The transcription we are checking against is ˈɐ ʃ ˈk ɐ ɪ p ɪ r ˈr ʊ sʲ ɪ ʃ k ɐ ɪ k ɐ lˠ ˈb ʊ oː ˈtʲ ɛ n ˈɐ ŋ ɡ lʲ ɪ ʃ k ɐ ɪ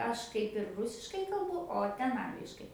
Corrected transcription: ˈɐ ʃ ˈk ɐ ɪ p ɪ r ˈr ʊ sʲ ɪ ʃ k ɐ ɪ k ɐ lˠ ˈb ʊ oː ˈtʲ ɛ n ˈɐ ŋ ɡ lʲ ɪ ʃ k ɐ ɪ